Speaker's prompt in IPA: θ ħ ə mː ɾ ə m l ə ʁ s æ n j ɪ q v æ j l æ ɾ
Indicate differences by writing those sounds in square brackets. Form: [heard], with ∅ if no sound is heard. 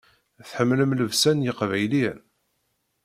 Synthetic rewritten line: θ ħ ə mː [l] ə m l ə [v] s æ n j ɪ q v æ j l [i] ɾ